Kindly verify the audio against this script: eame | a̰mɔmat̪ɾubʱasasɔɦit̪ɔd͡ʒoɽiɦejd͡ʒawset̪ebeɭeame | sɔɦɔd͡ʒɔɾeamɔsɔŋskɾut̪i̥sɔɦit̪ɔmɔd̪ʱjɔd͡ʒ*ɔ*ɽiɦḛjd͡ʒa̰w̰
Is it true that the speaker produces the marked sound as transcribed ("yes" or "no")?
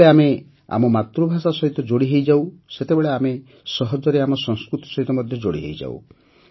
no